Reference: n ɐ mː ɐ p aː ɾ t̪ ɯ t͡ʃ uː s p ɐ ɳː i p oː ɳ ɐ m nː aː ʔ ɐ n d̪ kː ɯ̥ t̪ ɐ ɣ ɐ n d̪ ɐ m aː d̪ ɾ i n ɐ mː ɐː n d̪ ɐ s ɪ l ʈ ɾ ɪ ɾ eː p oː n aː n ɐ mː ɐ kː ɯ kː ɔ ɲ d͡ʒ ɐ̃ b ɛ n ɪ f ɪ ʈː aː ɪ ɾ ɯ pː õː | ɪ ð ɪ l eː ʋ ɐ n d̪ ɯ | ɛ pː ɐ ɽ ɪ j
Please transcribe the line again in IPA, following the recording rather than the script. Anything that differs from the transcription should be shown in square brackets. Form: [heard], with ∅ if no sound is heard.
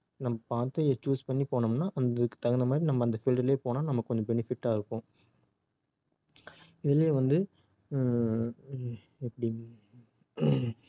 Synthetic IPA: n ɐ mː ɐ p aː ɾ t̪ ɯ t͡ʃ uː s p ɐ ɳː i p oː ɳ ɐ m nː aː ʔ ɐ n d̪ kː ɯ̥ t̪ ɐ ɣ ɐ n d̪ ɐ m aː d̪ ɾ i n ɐ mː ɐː n d̪ ɐ [f] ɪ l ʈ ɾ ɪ [l] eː p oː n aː n ɐ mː ɐ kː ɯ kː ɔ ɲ d͡ʒ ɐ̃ b ɛ n ɪ f ɪ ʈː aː ɪ ɾ ɯ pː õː | ɪ ð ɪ l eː ʋ ɐ n d̪ ɯ | ɛ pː ɐ ɽ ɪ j